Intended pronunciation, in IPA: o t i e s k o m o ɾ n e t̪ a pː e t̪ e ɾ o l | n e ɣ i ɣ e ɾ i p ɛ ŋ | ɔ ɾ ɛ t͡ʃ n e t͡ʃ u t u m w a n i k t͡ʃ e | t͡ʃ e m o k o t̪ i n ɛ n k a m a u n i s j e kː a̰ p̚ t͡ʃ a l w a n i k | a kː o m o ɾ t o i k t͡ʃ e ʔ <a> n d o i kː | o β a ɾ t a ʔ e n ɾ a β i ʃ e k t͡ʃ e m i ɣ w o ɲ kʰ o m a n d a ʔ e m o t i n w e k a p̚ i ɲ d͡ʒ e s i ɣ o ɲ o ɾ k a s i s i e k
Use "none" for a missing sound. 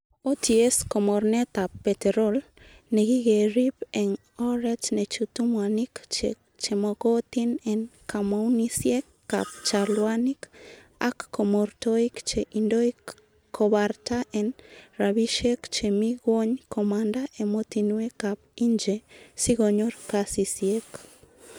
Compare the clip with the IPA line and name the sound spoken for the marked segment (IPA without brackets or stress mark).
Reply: i